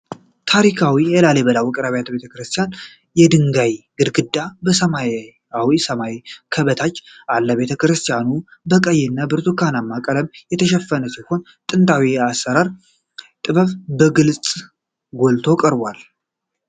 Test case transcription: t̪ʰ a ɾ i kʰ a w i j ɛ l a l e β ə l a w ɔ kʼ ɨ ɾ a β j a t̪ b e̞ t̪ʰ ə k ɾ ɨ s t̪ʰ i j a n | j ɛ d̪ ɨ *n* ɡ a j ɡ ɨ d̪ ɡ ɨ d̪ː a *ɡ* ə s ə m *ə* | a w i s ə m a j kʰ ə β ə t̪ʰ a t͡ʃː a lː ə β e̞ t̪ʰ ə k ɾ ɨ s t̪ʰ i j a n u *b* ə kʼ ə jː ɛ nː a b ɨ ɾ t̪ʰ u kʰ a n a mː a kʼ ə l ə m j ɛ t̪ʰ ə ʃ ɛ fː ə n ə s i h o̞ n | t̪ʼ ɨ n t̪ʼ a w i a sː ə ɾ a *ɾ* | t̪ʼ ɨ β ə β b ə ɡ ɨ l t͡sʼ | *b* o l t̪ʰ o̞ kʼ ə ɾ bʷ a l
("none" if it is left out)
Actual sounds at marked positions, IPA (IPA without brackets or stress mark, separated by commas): ŋ, b, a, b, ɾ, ɡ